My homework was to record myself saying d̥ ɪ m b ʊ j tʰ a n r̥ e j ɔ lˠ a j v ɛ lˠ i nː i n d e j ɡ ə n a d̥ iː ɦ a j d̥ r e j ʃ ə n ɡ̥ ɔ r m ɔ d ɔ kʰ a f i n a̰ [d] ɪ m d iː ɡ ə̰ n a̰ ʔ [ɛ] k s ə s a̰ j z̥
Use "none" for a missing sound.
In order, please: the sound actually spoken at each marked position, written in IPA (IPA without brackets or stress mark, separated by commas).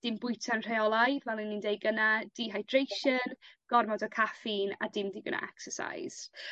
d, ɛ